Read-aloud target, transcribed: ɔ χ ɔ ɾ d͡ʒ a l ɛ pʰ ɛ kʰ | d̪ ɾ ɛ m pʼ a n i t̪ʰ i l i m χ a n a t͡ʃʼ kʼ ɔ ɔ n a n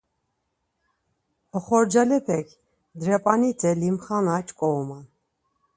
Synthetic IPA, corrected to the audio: ɔ χ ɔ ɾ d͡ʒ a l ɛ pʰ ɛ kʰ | d̪ ɾ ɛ pʼ a n i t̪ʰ ɛ l i m χ a n a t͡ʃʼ kʼ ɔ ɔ m a n